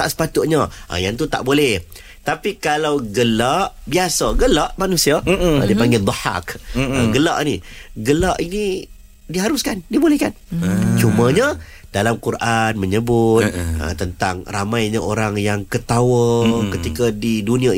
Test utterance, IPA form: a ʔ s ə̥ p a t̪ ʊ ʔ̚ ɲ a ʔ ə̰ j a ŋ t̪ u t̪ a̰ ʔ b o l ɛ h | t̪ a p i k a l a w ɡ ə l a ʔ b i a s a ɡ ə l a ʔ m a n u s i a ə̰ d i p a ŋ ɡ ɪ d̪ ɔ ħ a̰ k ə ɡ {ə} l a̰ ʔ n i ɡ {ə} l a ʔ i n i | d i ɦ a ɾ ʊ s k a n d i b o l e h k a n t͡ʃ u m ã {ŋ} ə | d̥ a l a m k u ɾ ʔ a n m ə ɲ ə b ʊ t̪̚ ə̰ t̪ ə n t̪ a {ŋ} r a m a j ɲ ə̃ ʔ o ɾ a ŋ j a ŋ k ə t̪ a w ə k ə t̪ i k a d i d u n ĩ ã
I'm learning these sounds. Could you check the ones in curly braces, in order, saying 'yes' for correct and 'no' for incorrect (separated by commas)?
yes, yes, no, yes